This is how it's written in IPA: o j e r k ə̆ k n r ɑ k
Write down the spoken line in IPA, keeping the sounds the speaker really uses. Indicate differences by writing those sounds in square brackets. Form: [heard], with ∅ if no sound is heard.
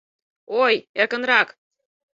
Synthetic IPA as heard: o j e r k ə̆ [∅] n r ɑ k